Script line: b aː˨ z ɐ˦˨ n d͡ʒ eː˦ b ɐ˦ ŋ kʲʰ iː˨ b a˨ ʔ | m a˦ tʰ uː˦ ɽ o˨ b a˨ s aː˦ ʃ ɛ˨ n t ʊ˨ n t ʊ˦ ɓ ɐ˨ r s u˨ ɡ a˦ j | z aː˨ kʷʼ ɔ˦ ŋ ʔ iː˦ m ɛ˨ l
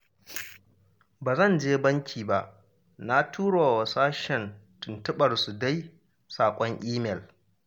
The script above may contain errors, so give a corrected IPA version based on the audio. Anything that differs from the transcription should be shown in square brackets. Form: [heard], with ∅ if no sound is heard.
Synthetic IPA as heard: b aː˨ z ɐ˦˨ n d͡ʒ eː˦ b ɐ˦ ŋ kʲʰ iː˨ b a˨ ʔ | [n] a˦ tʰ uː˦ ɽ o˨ [w] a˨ s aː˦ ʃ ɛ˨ n t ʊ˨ n t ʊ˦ ɓ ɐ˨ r s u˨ [d] a˦ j | [s] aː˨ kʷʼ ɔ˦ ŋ ʔ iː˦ m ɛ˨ l

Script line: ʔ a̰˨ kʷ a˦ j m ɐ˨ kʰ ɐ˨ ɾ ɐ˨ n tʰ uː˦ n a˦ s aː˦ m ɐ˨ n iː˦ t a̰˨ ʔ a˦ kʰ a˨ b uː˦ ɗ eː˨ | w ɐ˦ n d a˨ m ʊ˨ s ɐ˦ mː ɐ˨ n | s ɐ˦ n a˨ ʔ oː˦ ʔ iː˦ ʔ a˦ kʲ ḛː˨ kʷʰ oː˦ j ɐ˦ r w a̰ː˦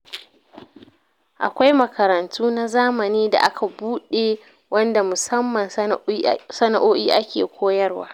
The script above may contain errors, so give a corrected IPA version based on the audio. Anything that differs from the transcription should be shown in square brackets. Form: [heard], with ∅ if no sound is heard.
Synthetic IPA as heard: ʔ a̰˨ kʷ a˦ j m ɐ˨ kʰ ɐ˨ ɾ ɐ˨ n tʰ uː˦ n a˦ [z] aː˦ m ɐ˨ n iː˦ [d] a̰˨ ʔ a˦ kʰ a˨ b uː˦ ɗ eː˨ | w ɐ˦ n d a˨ m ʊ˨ s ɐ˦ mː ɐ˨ n | s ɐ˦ n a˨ ʔ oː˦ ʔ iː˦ ʔ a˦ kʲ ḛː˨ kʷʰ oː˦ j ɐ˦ r w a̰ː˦

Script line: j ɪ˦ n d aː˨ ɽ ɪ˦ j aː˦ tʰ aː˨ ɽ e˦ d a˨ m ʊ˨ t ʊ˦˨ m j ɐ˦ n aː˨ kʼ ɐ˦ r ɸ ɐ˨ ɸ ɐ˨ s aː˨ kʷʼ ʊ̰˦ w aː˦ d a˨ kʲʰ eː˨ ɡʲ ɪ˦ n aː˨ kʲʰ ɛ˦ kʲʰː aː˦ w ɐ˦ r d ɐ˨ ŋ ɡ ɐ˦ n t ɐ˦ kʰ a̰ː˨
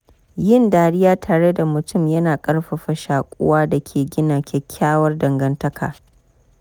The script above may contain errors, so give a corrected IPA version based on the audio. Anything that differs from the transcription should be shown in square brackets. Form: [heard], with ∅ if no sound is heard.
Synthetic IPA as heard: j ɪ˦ n d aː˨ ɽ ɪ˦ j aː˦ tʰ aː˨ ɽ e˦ d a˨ m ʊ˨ t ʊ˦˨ m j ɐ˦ n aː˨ kʼ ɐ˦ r ɸ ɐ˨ ɸ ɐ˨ [ʃ] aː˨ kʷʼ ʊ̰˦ w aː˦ d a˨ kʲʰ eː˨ ɡʲ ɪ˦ n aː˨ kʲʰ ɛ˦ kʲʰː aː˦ w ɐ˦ r d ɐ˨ ŋ ɡ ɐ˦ n t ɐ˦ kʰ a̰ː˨

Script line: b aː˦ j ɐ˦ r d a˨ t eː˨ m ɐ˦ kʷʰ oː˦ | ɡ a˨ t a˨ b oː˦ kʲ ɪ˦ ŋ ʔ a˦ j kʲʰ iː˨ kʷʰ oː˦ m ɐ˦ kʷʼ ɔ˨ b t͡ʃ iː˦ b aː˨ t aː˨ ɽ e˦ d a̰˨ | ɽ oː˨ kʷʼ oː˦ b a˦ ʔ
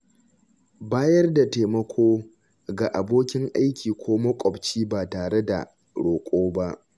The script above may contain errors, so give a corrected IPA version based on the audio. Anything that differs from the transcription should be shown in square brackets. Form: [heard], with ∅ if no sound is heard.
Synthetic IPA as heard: b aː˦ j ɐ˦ r d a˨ t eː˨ m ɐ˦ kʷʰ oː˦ | ɡ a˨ [ʔ] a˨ b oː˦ kʲ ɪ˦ ŋ ʔ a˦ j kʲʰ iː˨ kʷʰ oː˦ m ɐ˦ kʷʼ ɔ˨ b t͡ʃ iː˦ b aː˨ t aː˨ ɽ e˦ d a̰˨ | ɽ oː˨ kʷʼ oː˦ b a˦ ʔ

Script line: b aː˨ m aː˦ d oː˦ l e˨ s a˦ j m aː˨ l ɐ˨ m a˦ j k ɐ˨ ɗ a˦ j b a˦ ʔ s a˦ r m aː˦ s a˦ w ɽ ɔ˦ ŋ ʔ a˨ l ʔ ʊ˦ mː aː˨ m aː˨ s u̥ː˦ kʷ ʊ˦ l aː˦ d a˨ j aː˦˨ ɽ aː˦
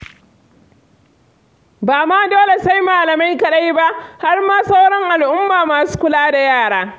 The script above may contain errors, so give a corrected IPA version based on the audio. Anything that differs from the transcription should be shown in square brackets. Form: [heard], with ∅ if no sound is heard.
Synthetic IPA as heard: b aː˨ m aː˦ d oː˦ l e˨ s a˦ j m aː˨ l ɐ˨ m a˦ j k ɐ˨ ɗ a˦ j b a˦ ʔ [h] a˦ r m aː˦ s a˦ w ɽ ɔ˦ ŋ ʔ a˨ l ʔ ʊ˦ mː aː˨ m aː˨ s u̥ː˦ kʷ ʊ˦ l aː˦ d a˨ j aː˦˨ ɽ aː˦

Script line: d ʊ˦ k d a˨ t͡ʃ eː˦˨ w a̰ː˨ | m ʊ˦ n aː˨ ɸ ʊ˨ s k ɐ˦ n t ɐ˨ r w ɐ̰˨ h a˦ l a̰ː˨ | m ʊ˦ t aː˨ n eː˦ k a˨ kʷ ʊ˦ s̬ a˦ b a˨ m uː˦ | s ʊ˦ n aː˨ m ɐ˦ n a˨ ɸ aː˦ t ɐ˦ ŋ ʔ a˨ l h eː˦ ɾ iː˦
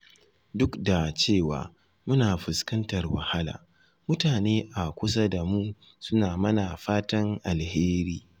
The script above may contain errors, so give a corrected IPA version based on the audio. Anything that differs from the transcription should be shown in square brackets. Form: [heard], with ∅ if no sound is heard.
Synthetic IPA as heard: d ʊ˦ k d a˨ t͡ʃ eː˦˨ w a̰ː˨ | m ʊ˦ n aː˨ ɸ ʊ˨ s k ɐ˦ n t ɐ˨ r w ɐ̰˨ h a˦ l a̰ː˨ | m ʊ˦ t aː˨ n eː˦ [ʔ] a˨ kʷ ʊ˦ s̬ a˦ [d] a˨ m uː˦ | s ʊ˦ n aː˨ m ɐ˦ n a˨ ɸ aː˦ t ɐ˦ ŋ ʔ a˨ l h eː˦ ɾ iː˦

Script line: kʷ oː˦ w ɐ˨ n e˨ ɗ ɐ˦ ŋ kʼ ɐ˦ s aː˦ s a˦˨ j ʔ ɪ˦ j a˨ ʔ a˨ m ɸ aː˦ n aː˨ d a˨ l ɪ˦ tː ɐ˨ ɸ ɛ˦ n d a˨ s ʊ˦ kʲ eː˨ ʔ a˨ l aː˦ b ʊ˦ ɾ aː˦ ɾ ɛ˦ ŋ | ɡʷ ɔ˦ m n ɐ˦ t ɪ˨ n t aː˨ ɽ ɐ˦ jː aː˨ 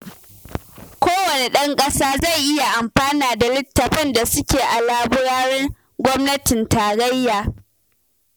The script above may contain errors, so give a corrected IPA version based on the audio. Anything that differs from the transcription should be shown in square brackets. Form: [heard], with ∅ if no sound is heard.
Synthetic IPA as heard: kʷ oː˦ w ɐ˨ n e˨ ɗ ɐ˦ ŋ kʼ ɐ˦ s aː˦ [z] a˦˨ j ʔ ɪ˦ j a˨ ʔ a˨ m ɸ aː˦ n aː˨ d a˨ l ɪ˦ tː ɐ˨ ɸ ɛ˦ n d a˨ s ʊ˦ kʲ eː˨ ʔ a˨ l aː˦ b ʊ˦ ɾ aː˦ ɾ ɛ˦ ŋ | ɡʷ ɔ˦ m n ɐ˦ t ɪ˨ n t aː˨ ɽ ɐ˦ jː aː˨

